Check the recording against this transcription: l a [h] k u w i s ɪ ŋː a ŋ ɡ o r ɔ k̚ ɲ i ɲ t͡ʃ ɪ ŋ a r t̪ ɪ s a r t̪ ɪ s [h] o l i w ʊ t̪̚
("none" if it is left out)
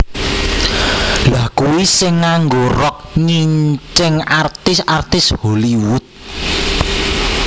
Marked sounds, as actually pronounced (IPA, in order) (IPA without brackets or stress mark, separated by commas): h, h